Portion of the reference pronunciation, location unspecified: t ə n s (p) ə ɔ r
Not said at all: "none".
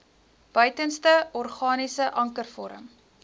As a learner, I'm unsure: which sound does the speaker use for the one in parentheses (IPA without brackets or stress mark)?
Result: t